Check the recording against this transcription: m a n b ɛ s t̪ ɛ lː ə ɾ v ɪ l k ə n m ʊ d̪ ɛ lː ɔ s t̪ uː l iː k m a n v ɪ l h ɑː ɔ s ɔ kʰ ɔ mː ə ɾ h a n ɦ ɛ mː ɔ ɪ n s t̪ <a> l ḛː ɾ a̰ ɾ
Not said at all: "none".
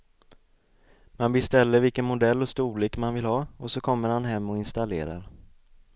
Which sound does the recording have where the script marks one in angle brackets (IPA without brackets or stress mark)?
a